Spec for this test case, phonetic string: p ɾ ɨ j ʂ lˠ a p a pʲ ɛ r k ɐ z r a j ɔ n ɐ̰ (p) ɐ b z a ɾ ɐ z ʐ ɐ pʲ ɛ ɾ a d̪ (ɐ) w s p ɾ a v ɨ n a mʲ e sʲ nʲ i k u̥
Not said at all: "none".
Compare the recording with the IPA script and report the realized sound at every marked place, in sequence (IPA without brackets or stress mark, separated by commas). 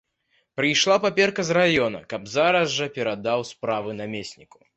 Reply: k, a